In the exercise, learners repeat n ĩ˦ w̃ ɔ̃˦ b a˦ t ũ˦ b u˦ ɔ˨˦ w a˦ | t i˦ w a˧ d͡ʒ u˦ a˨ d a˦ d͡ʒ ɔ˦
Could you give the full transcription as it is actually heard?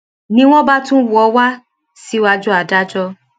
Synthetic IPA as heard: n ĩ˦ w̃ ɔ̃˦ b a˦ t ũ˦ w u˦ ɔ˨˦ w a˦ | s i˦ w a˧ d͡ʒ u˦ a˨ d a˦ d͡ʒ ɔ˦